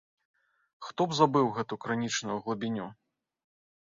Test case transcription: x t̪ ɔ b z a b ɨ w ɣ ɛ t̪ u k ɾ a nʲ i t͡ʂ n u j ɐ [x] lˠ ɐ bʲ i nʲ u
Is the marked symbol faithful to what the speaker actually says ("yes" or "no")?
no